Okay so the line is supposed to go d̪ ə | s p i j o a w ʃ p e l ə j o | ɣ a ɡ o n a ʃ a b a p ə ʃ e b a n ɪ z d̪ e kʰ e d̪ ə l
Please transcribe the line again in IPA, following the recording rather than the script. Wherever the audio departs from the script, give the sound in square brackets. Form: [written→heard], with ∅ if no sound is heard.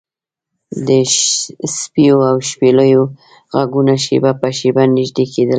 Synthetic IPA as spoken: d̪ ə | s p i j o a w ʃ p e l ə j o | ɣ a ɡ [o→u] n a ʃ [a→e] b a p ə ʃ e b a n ɪ [z→ʒ] d̪ e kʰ e d̪ ə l